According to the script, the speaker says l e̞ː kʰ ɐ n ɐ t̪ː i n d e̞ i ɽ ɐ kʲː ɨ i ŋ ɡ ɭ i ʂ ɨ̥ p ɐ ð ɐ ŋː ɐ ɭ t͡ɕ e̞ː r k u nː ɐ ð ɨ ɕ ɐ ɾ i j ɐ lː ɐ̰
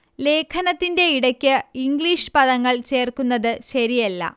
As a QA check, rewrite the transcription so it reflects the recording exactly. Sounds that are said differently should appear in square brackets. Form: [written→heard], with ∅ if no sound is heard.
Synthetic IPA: l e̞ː kʰ ɐ n ɐ t̪ː i n d e̞ i ɽ ɐ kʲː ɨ i ŋ ɡ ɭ i ʂ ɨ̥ p ɐ ð ɐ ŋː ɐ ɭ t͡ɕ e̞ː r k u nː ɐ ð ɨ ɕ ɐ ɾ i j ɐ lː ɐ̰